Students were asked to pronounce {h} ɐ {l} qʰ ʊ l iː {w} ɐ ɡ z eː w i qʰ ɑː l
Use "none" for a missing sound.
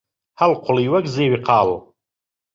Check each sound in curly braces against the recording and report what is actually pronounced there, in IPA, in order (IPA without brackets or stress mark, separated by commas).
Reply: h, l, w